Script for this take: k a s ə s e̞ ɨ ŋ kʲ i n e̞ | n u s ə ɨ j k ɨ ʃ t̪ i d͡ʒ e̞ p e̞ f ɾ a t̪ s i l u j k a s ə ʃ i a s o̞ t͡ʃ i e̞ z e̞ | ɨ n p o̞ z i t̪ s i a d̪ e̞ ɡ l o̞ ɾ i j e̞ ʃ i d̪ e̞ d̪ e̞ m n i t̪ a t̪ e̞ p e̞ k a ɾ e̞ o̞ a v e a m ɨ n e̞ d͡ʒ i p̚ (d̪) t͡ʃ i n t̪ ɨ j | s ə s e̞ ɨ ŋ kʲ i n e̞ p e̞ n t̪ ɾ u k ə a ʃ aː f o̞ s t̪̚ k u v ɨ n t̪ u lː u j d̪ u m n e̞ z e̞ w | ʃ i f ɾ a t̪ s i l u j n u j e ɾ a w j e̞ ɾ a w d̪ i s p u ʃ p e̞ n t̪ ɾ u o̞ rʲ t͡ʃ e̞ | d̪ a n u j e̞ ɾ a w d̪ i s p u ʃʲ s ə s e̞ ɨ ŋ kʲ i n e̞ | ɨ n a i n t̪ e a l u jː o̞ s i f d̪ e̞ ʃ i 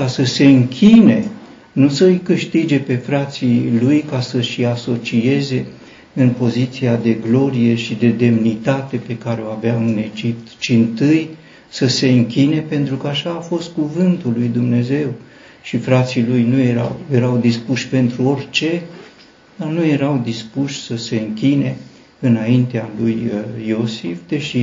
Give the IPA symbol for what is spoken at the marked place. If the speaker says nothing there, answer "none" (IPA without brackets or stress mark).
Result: t̪